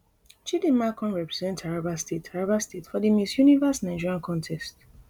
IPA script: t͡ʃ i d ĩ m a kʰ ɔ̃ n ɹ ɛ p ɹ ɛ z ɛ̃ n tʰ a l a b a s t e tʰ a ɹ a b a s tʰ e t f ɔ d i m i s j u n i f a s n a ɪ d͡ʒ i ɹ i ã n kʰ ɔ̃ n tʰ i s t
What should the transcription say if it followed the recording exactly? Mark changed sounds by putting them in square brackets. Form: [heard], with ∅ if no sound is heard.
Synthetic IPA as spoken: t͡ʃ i d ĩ m a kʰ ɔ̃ n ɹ ɛ p ɹ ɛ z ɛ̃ n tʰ a [ɹ] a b a s t e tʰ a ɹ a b a s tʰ e t f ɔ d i m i s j u n i [v] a s n a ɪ d͡ʒ i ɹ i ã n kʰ ɔ̃ n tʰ [ɛ] s t